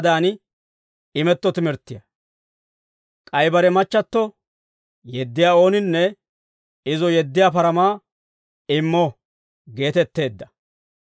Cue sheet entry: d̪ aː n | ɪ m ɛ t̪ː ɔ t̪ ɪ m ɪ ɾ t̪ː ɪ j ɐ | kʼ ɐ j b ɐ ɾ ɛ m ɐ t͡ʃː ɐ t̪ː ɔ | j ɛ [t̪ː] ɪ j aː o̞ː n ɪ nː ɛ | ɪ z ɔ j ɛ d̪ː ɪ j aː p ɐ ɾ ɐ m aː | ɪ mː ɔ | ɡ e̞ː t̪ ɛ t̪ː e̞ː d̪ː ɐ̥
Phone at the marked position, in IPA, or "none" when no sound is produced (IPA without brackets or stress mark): d̪ː